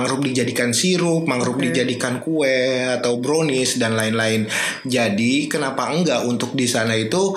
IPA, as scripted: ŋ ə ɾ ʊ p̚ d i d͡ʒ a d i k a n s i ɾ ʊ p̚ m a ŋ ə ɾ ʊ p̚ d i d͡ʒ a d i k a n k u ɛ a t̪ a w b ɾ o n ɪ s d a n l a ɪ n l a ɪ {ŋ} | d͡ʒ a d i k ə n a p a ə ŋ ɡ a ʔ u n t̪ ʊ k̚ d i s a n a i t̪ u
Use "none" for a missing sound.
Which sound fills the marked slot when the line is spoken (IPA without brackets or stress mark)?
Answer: n